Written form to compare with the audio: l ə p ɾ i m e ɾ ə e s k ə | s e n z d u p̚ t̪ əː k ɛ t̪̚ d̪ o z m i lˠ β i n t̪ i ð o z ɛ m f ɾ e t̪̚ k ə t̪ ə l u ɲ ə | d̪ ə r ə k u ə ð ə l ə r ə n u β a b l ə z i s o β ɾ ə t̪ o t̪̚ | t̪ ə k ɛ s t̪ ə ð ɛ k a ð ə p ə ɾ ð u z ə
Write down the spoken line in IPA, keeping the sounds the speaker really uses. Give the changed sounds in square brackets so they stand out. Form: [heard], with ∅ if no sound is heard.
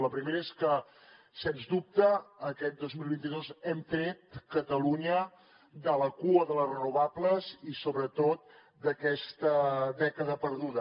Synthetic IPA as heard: l ə p ɾ i m e ɾ ə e s k ə | s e n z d u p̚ t̪ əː k ɛ t̪̚ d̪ o z m i lˠ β i n t̪ i ð o z ɛ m f ɾ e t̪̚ k ə t̪ ə l u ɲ ə | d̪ ə [l] ə k u ə ð ə l ə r ə n u β a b l ə z i s o β ɾ ə t̪ o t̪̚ | [d̪] ə k ɛ s t̪ ə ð ɛ k [ə] ð ə p ə ɾ ð u [ð] ə